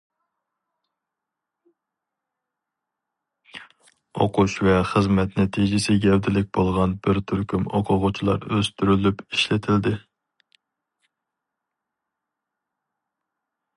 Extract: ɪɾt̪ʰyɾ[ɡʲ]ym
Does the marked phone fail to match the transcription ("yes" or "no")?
yes